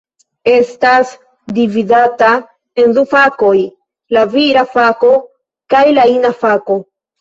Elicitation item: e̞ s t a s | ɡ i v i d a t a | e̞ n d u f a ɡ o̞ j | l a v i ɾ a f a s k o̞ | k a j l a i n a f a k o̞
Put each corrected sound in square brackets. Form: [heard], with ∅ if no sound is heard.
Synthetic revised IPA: e̞ s t a s | [d] i v i d a t a | e̞ n d u f a [k] o̞ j | l a v i ɾ a f a [∅] k o̞ | k a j l a i n a f a k o̞